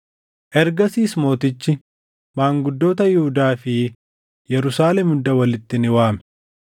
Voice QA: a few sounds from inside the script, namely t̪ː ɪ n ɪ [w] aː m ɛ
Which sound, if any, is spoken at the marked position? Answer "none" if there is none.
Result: w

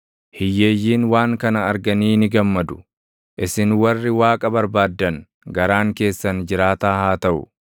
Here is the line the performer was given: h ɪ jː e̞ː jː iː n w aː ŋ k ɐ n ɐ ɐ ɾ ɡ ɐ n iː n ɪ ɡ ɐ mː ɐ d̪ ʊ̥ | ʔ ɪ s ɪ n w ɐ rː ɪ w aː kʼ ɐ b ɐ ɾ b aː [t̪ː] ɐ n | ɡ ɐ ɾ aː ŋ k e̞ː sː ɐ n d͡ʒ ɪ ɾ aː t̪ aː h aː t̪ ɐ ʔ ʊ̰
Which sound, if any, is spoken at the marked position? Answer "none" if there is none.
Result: d̪ː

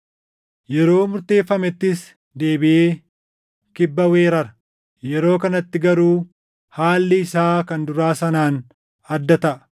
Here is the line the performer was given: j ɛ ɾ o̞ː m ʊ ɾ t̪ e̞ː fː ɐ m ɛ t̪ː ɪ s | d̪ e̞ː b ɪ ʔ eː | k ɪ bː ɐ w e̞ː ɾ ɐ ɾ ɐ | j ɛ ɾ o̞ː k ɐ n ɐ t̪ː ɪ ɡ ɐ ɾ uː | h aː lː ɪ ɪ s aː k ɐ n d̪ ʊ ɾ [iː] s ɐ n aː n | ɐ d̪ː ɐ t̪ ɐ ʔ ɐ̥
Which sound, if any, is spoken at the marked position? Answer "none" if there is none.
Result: aː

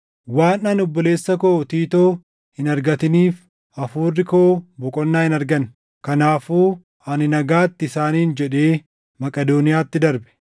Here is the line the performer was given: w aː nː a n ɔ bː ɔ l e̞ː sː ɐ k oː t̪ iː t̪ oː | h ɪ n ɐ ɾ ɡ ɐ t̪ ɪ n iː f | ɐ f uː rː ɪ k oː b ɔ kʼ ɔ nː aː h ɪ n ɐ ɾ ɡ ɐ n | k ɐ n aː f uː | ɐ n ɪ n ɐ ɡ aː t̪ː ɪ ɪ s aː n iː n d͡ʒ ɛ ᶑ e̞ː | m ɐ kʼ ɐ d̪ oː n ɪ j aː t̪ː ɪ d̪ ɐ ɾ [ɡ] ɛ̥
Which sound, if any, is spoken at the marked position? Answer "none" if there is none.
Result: b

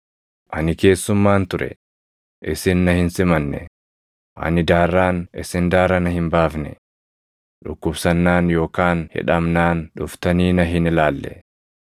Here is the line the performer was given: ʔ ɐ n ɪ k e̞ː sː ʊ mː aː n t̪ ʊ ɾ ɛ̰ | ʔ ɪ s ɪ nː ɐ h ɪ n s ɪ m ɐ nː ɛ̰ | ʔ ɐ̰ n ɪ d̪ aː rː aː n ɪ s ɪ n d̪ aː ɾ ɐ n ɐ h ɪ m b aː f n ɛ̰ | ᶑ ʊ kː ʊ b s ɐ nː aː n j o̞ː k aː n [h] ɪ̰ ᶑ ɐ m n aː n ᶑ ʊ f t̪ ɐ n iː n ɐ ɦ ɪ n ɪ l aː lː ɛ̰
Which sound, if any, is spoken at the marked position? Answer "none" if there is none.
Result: h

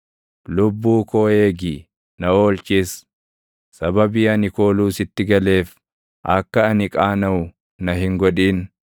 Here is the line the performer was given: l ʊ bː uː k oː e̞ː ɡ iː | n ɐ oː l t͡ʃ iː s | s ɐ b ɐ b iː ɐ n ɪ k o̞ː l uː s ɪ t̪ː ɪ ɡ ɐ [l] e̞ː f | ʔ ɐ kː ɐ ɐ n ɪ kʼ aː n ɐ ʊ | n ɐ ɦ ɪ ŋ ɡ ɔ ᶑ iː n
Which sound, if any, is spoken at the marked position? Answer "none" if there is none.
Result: l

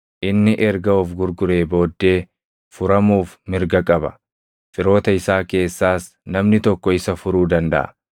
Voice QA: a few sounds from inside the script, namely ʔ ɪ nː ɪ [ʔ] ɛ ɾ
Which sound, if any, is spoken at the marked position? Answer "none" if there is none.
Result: ʔ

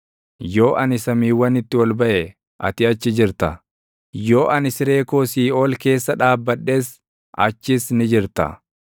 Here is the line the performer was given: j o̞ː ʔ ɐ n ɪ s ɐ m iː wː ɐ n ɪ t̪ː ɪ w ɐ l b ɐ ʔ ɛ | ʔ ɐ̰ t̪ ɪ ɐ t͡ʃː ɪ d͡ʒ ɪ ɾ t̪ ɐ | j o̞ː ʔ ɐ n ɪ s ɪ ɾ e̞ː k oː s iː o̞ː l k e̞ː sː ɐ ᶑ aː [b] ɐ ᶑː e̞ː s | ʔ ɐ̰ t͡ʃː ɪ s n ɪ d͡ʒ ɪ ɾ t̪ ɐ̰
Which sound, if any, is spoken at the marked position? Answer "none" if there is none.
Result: bː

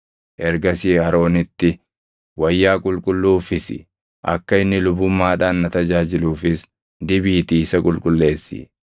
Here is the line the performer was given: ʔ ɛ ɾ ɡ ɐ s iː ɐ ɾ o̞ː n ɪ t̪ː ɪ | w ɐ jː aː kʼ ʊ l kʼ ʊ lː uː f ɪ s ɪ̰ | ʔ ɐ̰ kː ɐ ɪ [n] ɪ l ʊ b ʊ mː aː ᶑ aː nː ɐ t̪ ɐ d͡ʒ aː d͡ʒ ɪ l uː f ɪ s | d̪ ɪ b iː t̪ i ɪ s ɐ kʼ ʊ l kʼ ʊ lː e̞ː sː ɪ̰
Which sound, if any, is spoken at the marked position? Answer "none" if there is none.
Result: nː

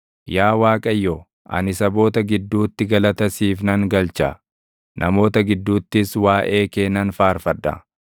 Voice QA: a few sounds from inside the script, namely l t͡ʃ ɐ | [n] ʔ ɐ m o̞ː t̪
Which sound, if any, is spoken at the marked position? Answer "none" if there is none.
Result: n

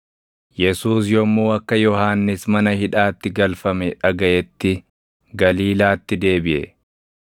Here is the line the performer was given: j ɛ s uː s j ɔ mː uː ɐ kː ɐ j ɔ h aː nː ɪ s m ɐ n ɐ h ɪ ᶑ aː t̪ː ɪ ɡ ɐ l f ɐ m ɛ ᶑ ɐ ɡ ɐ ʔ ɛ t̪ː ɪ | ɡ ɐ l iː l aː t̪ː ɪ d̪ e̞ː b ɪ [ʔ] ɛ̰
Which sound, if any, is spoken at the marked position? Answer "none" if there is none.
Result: ʔ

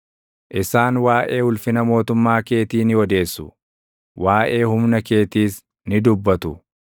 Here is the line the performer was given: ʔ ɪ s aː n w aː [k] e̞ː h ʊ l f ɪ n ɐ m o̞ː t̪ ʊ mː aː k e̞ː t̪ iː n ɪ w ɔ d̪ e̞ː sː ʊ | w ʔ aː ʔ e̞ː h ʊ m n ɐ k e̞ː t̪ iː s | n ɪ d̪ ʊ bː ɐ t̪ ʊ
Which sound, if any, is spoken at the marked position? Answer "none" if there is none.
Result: ʔ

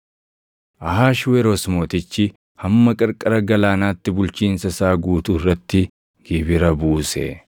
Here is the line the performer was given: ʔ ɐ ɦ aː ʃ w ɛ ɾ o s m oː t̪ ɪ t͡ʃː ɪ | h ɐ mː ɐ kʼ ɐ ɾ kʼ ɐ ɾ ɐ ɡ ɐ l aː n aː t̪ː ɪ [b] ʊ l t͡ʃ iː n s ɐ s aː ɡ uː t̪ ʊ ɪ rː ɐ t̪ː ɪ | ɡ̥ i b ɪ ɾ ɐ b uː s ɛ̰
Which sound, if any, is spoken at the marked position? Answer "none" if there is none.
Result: b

